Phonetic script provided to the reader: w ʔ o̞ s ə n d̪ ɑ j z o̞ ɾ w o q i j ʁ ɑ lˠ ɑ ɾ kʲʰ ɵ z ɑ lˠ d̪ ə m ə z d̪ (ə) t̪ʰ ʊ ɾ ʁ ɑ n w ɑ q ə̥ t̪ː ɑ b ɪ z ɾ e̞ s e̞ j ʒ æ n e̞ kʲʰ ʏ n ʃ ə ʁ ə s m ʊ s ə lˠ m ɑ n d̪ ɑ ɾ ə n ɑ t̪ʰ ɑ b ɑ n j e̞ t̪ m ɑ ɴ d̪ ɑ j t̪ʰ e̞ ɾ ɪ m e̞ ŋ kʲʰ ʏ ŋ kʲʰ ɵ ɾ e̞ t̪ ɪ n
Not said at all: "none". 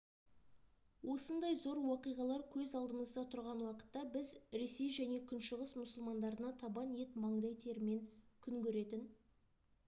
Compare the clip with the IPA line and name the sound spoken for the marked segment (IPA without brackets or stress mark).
ɑ